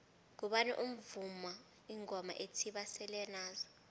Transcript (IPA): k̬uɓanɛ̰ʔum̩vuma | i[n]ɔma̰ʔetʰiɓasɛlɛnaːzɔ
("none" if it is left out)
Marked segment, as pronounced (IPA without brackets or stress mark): ŋ